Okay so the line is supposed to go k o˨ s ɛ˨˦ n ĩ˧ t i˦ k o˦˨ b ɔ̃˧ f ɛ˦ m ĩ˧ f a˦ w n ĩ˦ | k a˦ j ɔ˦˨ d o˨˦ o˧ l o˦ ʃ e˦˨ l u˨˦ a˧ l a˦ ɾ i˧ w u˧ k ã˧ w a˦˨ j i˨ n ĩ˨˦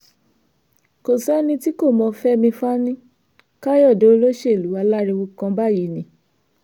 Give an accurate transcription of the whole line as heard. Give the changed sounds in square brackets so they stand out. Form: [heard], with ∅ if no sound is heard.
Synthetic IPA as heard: k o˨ s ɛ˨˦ n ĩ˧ t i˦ k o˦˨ [m] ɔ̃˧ f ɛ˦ m ĩ˧ f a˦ [∅] n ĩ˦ | k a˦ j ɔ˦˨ d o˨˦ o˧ l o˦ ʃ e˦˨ l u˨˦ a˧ l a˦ ɾ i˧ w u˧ k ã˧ [b] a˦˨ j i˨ n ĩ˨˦